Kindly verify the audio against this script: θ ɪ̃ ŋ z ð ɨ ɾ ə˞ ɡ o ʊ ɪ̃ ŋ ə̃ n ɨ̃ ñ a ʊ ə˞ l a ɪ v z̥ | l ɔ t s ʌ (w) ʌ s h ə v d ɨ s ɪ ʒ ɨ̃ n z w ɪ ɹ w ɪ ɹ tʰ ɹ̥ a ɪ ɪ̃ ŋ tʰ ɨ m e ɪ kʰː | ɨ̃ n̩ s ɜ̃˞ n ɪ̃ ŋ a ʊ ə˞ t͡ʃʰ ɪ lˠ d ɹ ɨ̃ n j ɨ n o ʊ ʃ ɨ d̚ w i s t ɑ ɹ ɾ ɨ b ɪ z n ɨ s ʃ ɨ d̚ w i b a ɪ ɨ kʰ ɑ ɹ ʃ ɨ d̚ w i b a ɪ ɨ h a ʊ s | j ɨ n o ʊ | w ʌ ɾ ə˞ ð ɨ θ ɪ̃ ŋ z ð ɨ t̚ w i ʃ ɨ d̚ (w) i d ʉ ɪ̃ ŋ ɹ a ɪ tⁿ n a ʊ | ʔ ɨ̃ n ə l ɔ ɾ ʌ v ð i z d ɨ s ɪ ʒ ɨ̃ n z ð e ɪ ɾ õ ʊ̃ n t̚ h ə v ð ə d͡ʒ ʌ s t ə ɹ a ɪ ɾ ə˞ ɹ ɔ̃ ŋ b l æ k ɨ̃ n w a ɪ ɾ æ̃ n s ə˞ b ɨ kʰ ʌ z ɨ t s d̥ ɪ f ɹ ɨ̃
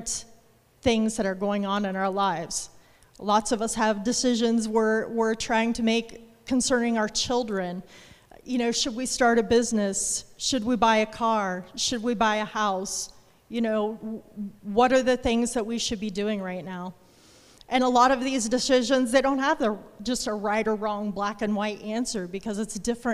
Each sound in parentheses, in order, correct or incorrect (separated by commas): incorrect, incorrect